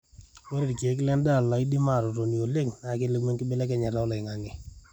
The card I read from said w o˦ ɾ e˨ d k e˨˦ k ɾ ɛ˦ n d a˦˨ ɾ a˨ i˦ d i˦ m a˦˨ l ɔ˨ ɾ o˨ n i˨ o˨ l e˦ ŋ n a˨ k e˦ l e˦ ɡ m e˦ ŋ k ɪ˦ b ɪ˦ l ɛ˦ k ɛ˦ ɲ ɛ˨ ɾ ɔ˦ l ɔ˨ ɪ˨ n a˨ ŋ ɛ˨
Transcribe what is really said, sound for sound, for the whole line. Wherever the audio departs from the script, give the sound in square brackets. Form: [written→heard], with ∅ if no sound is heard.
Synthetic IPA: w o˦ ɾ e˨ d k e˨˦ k [ɾ→l] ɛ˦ n d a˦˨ [ɾ→l] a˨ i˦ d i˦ m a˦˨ [l→ɾ] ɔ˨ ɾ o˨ n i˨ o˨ l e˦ ŋ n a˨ k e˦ l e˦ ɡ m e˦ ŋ k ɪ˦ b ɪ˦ l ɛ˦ k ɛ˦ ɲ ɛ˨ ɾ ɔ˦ l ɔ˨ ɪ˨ [n→ŋ] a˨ ŋ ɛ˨